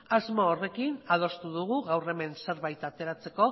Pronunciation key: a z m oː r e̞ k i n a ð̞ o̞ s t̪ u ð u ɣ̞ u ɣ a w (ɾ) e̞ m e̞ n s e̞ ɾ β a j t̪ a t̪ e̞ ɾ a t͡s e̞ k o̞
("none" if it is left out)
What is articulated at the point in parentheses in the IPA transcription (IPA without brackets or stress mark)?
r